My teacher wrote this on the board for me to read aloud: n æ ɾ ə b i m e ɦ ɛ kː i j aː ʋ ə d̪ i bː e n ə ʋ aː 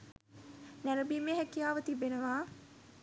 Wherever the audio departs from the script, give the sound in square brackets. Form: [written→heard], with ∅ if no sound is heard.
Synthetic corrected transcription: n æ ɾ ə b i m e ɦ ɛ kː i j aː ʋ ə [d̪→t̪] i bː e n ə ʋ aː

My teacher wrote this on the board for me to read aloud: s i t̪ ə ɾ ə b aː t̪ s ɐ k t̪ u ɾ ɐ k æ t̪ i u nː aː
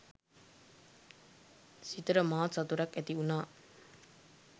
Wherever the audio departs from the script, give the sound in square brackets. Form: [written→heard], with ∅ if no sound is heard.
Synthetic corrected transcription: s i t̪ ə ɾ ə [b→m] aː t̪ s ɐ [k→∅] t̪ u ɾ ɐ k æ t̪ i u [nː→n] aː

